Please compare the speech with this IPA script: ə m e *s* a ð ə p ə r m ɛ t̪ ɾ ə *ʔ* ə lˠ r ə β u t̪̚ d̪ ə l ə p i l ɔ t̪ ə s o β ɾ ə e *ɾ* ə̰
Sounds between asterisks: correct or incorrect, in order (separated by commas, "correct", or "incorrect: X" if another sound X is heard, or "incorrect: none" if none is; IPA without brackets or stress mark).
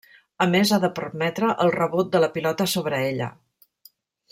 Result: incorrect: z, correct, incorrect: ʎ